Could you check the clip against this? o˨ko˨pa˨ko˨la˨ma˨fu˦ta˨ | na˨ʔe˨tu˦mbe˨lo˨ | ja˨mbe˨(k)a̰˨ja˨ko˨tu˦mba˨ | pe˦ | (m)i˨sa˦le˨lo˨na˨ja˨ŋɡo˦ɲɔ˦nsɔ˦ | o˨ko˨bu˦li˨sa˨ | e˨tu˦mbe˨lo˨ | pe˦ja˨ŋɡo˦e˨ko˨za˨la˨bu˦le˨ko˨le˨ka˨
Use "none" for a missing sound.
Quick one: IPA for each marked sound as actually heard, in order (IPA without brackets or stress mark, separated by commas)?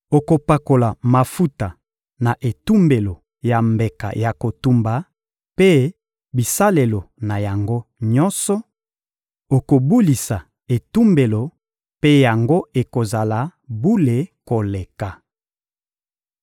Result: k, b